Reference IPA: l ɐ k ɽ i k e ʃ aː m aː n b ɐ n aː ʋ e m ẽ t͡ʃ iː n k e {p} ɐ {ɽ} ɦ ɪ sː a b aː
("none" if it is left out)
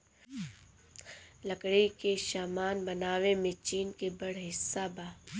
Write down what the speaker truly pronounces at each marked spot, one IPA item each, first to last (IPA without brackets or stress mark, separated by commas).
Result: b, ɽ